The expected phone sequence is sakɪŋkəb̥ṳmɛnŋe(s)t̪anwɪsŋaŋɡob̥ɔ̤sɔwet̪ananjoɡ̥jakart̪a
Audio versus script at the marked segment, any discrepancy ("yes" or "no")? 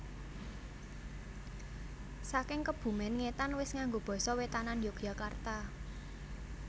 yes